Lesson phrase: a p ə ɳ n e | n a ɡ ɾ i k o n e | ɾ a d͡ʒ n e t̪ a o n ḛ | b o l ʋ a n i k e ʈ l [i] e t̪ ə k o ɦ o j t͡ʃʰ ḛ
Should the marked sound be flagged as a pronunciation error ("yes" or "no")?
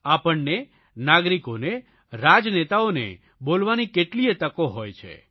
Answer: no